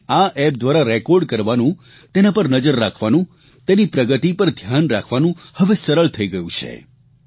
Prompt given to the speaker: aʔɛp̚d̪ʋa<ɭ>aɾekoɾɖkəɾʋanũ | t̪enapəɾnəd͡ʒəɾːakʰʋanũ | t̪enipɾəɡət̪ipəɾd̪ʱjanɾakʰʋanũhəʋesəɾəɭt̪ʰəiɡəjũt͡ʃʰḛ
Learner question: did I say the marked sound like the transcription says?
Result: no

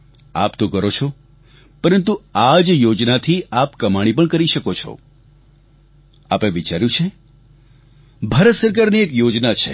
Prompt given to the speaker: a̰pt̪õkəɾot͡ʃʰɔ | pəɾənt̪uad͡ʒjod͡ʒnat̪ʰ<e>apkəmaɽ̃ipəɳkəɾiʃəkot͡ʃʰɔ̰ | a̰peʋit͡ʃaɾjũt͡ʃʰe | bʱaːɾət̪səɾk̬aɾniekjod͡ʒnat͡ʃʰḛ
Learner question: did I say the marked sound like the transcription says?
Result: no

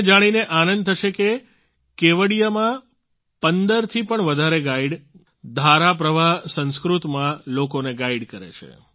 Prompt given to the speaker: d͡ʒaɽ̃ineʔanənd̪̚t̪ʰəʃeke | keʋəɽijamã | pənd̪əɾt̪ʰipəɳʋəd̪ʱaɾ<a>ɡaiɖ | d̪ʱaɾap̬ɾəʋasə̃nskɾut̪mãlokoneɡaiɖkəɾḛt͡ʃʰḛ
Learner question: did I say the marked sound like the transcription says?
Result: no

